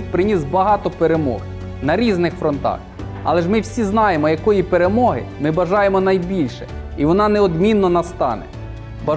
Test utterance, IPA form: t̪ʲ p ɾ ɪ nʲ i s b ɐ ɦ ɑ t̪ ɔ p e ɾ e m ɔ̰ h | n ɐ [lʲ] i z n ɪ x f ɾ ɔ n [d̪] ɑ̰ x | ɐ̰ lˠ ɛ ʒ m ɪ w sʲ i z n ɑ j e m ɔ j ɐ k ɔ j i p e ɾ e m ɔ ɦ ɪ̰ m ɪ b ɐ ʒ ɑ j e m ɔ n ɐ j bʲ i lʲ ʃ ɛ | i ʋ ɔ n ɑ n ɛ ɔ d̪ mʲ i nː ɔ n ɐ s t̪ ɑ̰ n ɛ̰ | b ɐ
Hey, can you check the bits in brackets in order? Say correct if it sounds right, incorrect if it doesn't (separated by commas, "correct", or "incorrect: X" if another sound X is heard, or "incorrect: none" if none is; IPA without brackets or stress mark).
incorrect: ɾʲ, incorrect: t̪